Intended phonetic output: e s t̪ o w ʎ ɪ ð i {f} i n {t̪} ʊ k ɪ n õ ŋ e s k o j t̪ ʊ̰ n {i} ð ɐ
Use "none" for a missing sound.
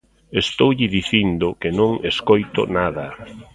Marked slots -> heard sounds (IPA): θ, d̪, a

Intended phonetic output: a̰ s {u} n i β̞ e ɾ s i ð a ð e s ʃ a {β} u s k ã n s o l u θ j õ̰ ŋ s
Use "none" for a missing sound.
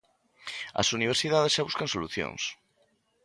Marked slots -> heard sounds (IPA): u, β

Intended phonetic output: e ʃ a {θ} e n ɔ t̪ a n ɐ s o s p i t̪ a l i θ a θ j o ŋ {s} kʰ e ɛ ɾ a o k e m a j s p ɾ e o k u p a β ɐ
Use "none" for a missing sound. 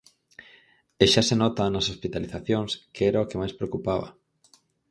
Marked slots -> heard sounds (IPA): s, s

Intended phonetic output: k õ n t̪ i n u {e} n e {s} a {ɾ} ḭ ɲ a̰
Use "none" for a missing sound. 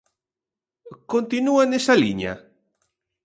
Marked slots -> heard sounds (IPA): a, s, l

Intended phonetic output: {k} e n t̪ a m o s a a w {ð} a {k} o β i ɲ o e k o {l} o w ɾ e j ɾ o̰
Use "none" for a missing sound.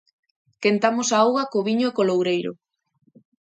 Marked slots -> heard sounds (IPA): k, ɣ, k, l

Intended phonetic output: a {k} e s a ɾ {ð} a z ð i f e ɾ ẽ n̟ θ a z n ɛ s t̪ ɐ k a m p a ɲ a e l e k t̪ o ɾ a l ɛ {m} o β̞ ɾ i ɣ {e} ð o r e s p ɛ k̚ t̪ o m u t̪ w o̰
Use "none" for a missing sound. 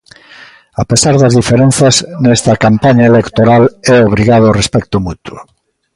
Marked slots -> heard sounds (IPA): p, ð, none, a

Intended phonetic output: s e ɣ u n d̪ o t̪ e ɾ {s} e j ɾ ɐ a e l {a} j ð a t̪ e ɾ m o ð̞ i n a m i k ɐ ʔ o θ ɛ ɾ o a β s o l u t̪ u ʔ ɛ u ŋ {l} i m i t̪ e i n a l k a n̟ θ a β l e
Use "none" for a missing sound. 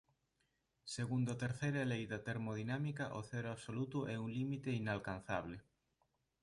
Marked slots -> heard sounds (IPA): θ, e, l

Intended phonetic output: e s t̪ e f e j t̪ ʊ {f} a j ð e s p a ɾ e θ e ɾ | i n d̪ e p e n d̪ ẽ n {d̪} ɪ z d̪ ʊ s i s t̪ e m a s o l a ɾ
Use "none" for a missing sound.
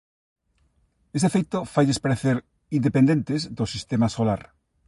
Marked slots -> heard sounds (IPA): f, t̪

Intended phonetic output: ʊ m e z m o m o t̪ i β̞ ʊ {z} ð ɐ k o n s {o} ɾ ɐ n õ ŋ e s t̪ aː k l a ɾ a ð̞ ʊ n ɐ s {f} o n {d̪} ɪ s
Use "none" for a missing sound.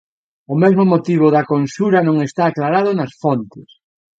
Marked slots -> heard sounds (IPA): none, u, f, t̪

